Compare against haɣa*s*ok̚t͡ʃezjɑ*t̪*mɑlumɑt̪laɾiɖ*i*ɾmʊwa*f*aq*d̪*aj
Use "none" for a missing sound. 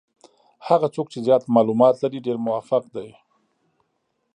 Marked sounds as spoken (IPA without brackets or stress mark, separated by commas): t͡s, t̪, e, f, d̪